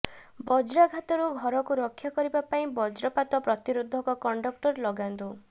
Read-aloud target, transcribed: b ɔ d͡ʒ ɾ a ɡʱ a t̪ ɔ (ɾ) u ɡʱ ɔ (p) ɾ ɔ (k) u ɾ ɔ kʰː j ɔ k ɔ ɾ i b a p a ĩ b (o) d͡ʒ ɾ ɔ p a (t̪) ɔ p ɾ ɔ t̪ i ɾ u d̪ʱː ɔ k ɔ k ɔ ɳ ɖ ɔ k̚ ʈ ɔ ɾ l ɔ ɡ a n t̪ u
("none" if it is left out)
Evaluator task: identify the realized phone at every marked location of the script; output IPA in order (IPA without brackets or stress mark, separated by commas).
ɾ, none, k, ɔ, t̪